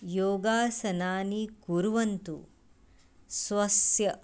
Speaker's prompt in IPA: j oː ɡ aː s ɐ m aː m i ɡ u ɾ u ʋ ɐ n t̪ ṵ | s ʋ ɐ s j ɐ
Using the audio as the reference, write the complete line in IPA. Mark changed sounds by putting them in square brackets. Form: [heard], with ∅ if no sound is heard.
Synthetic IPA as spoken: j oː ɡ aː s ɐ [n] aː [n] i [k] u ɾ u ʋ ɐ n t̪ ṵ | s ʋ ɐ s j ɐ